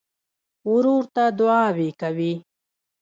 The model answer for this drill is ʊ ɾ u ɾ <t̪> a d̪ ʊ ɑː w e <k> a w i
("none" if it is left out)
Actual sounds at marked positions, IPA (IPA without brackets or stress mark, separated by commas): t̪, k